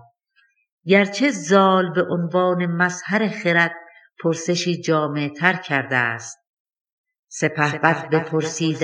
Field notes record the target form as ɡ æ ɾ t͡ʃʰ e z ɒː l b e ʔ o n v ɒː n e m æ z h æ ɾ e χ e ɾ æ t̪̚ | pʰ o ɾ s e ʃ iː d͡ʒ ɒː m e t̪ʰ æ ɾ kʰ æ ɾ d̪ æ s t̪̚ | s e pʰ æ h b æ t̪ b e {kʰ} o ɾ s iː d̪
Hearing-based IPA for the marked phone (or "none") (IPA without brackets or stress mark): pʰ